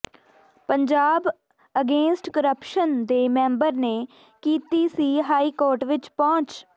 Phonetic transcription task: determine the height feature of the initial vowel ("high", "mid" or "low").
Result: mid